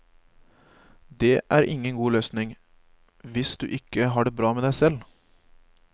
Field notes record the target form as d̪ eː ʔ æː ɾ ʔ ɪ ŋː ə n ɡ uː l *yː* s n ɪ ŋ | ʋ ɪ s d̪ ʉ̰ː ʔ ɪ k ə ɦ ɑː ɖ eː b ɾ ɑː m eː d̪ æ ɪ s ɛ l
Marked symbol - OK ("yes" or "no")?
no